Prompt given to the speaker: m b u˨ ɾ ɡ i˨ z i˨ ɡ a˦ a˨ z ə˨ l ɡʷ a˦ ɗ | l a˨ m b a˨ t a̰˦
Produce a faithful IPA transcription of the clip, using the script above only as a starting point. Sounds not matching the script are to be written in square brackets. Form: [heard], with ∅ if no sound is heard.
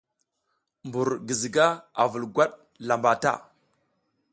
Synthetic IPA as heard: m b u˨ ɾ ɡ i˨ z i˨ ɡ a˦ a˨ [v] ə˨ l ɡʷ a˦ ɗ | l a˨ m b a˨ t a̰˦